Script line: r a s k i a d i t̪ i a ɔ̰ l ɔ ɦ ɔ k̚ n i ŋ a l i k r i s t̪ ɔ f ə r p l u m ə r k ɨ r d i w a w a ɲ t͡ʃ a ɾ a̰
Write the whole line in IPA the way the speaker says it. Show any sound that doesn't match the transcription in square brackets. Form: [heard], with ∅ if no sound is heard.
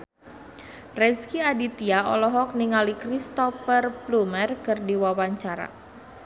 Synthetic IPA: r [ɛ] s k i a d i t̪ i a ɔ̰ l ɔ ɦ ɔ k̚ n i ŋ a l i k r i s t̪ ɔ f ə r p l u m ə r k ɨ r d i w a w a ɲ t͡ʃ a ɾ a̰